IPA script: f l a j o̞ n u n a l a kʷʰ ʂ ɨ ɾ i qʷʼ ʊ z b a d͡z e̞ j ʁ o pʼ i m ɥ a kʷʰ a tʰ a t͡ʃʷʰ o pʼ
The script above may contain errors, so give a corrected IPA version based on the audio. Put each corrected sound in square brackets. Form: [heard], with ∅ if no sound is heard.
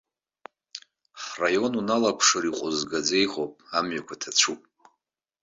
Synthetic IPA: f [r] a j o̞ n u n a l a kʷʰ ʂ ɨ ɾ i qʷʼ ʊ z [ɡ] a d͡z e̞ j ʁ o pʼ [a] m ɥ a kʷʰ a tʰ a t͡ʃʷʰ [u] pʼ